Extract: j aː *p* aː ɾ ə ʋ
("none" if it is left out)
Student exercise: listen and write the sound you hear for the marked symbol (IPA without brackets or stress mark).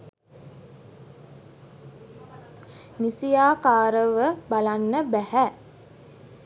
k